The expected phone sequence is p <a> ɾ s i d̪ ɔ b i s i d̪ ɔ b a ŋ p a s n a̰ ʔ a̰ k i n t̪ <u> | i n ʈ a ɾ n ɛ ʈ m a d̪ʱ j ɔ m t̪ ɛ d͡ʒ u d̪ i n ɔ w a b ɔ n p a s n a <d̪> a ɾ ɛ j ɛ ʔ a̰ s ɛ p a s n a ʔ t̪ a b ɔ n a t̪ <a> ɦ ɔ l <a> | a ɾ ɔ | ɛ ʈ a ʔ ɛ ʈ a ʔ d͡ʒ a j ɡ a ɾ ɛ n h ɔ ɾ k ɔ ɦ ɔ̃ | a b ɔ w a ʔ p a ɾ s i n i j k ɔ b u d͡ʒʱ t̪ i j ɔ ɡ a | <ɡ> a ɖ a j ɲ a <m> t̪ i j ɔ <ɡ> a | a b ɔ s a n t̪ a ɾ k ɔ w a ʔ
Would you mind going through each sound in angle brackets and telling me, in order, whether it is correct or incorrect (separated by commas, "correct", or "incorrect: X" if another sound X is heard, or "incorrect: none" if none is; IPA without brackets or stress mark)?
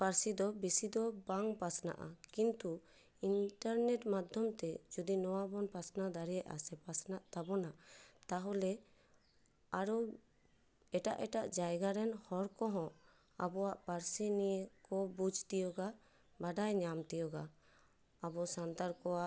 correct, correct, correct, correct, incorrect: ɛ, incorrect: b, correct, correct